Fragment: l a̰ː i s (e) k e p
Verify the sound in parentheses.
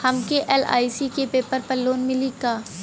incorrect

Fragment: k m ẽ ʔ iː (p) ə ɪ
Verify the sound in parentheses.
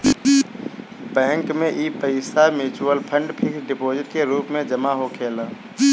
correct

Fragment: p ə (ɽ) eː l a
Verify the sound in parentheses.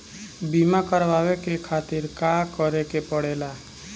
correct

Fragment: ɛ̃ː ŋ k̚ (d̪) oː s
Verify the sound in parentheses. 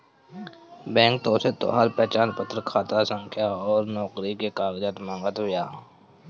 incorrect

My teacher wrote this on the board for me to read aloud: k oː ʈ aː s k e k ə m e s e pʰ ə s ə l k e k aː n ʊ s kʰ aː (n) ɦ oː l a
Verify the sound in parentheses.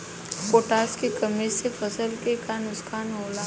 correct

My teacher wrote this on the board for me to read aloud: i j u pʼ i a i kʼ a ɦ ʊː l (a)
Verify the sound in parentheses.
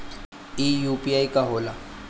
correct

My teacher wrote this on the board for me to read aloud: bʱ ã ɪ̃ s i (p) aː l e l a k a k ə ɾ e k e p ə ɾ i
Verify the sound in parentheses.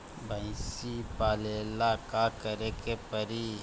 correct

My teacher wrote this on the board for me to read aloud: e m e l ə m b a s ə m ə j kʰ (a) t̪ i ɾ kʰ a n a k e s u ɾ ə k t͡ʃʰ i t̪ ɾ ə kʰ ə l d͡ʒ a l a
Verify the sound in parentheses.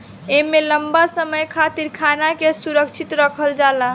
correct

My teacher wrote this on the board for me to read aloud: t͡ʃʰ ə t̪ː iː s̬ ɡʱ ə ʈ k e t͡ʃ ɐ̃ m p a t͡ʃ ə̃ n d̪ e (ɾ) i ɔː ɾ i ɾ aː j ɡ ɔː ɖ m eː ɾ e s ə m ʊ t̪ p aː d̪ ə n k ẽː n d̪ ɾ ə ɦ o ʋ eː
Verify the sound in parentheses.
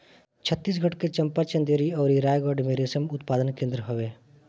correct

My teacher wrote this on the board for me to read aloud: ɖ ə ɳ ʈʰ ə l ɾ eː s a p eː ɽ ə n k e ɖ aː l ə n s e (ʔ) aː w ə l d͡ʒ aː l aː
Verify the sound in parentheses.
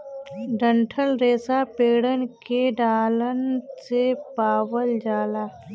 incorrect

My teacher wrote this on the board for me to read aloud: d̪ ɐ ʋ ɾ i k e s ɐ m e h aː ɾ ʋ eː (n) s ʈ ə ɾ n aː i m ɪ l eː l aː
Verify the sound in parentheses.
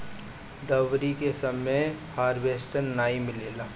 incorrect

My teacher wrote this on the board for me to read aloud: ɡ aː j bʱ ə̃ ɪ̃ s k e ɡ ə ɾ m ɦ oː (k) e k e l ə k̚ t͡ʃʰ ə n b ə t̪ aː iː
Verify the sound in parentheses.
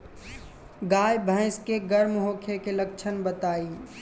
incorrect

